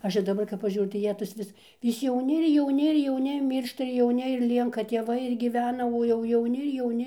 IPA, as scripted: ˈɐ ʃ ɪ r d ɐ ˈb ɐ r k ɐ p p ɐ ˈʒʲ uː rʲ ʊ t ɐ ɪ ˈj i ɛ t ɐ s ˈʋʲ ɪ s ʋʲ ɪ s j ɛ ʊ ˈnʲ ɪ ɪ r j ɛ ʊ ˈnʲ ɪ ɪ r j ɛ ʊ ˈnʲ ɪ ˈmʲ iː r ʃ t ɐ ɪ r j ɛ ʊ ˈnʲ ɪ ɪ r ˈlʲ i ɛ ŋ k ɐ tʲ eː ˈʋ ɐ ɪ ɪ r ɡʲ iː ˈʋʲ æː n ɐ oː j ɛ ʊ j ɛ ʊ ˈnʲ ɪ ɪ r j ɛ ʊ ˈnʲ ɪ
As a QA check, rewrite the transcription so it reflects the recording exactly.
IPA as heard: ˈɐ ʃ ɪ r d ɐ ˈb ɐ r k ɐ p p ɐ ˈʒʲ uː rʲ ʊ t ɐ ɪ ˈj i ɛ t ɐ s ˈʋʲ ɪ s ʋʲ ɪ s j ɛ ʊ ˈnʲ ɪ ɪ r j ɛ ʊ ˈnʲ ɪ ɪ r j ɛ ʊ ˈnʲ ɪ ˈmʲ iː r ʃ t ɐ ɪ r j ɛ ʊ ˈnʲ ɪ ɪ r ˈlʲ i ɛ ŋ k ɐ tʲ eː ˈʋ ɐ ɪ ɪ r ɡʲ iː ˈʋʲ æː n ɐ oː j ɛ ʊ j ɛ ʊ ˈnʲ ɪ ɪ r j ɛ ʊ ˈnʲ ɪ

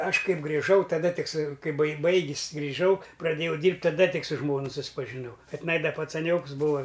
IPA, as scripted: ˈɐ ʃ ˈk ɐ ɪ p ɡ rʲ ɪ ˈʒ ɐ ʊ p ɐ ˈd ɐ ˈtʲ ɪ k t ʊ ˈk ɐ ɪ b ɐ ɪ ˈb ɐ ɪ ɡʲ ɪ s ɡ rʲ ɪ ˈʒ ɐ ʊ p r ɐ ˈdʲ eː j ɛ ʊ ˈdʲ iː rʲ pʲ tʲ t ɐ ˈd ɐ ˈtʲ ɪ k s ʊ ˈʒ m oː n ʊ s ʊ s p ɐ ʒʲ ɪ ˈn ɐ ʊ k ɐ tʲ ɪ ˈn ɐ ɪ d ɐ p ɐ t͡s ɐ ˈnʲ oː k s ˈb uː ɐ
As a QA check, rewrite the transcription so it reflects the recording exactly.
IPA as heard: ˈɐ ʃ ˈk ɐ ɪ p ɡ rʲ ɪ ˈʒ ɐ ʊ t ɐ ˈd ɐ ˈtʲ ɪ k s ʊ ˈk ɐ ɪ b ɐ ɪ ˈb ɐ ɪ ɡʲ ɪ s ɡ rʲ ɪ ˈʒ ɐ ʊ p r ɐ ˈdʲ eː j ɛ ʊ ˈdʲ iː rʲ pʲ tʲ t ɐ ˈd ɐ ˈtʲ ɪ k s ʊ ˈʒ m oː n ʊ s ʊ s p ɐ ʒʲ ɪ ˈn ɐ ʊ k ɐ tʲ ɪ ˈn ɐ ɪ d ɐ p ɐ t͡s ɐ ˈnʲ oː k s ˈb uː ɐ

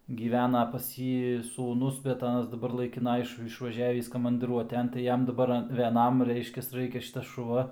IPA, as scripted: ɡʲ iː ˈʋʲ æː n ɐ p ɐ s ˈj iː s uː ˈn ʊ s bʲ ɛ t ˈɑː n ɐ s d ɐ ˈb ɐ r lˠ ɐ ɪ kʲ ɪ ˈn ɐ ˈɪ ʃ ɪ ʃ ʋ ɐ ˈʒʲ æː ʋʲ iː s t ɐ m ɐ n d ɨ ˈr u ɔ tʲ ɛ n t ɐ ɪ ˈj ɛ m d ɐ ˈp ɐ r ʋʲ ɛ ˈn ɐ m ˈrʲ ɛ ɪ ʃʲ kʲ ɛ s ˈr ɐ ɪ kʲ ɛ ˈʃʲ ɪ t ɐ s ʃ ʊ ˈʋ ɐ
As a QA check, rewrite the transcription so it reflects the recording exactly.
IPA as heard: ɡʲ iː ˈʋʲ æː n ɐ p ɐ s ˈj iː s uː ˈn ʊ s bʲ ɛ t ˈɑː n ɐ s d ɐ ˈb ɐ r lˠ ɐ ɪ kʲ ɪ ˈn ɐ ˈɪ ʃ ɪ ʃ ʋ ɐ ˈʒʲ æː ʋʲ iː s k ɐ m ɐ n d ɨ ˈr u ɔ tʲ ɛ n t ɐ ɪ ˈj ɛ m d ɐ ˈb ɐ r ʋʲ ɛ ˈn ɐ m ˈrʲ ɛ ɪ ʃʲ kʲ ɛ s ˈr ɐ ɪ kʲ ɛ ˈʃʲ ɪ t ɐ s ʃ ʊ ˈʋ ɐ

